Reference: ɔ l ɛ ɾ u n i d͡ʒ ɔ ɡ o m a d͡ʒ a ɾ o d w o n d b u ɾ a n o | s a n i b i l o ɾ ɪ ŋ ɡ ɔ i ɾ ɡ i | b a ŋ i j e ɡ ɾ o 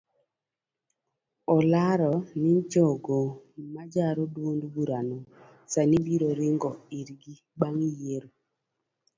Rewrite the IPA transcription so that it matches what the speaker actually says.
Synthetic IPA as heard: ɔ l a ɾ ɔ n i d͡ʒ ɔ ɡ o m a d͡ʒ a ɾ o d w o n d b u ɾ a n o | s a n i b i ɾ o ɾ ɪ ŋ ɡ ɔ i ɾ ɡ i | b a ŋ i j e ɾ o